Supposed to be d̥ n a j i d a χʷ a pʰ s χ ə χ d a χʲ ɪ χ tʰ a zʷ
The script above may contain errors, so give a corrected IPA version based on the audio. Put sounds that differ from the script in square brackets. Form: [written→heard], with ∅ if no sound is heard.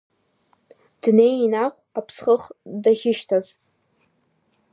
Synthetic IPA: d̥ n [a→e] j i [d→n] a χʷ a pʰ s χ ə χ d a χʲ ɪ [χ→ʃ] tʰ a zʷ